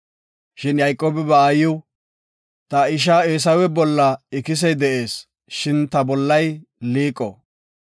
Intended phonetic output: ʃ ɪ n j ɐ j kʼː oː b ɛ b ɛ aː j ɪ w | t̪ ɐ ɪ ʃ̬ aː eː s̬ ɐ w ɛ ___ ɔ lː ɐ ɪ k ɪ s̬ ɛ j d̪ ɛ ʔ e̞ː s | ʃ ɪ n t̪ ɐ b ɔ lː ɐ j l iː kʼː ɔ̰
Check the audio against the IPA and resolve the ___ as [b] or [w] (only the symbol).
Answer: b